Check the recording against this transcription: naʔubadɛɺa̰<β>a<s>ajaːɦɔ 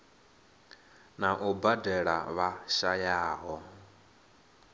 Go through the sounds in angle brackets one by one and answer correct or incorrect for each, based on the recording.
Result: correct, incorrect: ʃ

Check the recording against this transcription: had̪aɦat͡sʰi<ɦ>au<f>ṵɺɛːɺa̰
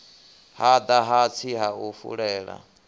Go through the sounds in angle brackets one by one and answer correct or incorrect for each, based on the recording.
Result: correct, correct

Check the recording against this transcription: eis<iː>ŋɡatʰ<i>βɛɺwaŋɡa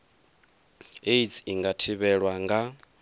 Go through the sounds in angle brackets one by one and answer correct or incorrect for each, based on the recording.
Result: incorrect: i, correct

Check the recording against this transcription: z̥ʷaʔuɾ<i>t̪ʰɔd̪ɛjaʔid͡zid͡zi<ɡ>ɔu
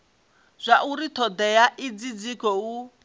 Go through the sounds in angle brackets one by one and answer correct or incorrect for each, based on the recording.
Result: correct, incorrect: k

